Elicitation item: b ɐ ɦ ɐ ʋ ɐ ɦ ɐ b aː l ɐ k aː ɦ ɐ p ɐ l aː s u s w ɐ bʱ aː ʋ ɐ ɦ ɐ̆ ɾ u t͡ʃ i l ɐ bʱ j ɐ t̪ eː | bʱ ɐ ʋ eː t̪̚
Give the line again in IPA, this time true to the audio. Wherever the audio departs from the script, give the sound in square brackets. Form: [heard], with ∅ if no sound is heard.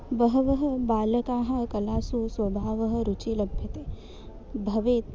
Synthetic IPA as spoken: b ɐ ɦ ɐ ʋ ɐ ɦ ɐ b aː l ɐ k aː ɦ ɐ [k] ɐ l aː s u s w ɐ bʱ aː ʋ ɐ ɦ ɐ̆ ɾ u t͡ʃ i l ɐ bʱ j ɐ t̪ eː | bʱ ɐ ʋ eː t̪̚